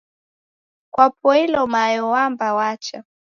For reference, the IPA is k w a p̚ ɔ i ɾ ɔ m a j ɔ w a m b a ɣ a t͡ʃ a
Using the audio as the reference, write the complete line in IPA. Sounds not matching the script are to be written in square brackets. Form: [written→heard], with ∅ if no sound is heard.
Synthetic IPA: k w a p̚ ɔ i [ɾ→l] ɔ m a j ɔ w a m b a [ɣ→w] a t͡ʃ a